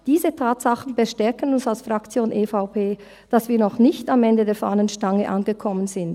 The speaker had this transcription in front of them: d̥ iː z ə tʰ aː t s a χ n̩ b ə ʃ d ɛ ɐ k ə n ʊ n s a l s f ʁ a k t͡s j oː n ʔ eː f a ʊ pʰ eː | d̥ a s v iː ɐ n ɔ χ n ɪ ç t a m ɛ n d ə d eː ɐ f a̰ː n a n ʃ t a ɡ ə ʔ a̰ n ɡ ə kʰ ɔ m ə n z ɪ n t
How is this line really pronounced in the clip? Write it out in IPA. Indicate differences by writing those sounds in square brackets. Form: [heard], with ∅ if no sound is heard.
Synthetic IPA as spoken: d̥ iː z ə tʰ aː t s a χ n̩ b ə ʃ [t] ɛ ɐ k ə n ʊ n s a l s f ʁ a k t͡s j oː n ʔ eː f a ʊ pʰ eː | d̥ a s v iː ɐ n ɔ χ n ɪ ç t a m ɛ n d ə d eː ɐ f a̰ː n [ə] n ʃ t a [ŋ] ə ʔ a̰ n ɡ ə kʰ ɔ m ə n z ɪ n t